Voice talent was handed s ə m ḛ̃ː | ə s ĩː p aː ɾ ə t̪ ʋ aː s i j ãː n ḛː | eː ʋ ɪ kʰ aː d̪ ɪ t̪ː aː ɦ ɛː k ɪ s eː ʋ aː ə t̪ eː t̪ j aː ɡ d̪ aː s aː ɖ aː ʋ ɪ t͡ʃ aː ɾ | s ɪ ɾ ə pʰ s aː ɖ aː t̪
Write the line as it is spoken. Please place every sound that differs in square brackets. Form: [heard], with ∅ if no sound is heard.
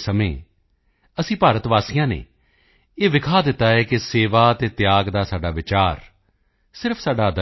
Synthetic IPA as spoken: s ə m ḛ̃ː | ə s ĩː p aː ɾ ə t̪ ʋ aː s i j ãː n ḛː | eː ʋ ɪ kʰ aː d̪ ɪ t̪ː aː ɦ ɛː k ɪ s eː ʋ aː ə t̪ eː t̪ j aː ɡ d̪ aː s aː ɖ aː ʋ ɪ t͡ʃ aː ɾ | s ɪ ɾ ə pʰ s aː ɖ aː [d̪]